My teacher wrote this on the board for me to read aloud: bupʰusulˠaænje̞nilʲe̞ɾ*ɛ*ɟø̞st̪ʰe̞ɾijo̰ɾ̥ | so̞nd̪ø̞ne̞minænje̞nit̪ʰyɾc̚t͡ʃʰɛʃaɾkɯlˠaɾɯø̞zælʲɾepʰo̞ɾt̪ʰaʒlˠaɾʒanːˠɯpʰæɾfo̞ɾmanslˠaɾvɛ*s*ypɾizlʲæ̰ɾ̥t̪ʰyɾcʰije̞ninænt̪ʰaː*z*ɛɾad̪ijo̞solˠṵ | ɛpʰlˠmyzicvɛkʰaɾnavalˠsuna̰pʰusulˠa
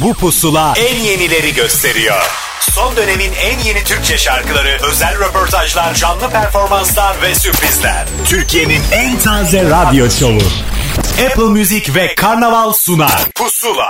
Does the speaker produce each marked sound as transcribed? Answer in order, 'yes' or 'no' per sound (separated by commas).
no, yes, yes